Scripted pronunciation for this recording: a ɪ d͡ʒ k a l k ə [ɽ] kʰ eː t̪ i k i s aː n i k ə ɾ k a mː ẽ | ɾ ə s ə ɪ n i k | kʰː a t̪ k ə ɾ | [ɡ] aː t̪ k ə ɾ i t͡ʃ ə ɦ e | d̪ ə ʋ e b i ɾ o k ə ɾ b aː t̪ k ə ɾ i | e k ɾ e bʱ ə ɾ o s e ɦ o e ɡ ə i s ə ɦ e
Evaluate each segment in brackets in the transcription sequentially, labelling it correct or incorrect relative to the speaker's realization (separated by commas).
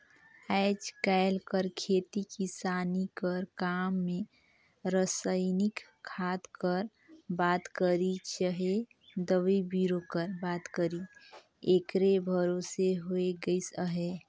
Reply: incorrect, incorrect